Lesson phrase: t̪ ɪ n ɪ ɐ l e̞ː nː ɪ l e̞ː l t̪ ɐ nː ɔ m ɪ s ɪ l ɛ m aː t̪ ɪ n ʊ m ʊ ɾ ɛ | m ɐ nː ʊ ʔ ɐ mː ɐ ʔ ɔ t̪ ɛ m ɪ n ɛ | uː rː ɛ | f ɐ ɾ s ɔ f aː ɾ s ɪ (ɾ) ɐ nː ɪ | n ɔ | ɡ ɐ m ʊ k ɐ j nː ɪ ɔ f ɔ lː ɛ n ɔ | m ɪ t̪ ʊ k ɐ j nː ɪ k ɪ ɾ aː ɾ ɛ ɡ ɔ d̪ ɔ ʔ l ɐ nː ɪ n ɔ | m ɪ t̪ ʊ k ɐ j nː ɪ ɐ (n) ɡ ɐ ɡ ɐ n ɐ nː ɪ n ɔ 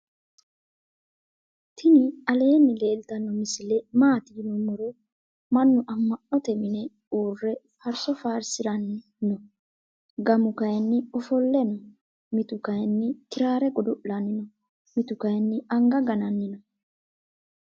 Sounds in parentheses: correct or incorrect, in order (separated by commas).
correct, incorrect